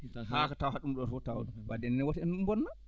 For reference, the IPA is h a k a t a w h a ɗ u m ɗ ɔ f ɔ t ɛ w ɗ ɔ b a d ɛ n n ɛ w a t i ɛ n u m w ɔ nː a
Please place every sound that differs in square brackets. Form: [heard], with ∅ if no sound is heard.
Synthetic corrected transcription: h a k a t a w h a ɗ u m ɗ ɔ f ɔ t [a] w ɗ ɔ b a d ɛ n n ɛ w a t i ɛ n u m [b] ɔ nː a